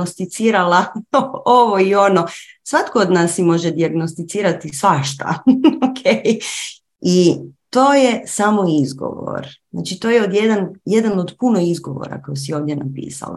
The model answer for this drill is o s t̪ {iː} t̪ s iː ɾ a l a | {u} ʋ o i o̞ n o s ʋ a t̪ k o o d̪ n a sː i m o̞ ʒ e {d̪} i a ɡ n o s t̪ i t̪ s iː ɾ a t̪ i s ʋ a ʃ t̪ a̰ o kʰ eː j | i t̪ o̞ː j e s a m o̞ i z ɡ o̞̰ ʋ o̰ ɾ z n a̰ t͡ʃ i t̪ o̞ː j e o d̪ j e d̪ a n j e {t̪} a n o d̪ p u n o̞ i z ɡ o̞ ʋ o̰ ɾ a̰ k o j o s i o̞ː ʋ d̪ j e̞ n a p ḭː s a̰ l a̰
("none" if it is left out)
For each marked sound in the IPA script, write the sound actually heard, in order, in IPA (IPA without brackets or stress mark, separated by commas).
i, o, d̪, d̪